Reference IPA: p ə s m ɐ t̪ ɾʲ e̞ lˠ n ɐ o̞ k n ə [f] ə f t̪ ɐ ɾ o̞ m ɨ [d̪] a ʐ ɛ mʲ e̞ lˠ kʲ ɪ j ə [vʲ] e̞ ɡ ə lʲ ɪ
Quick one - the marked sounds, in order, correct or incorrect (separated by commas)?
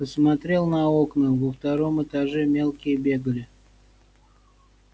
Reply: incorrect, incorrect, incorrect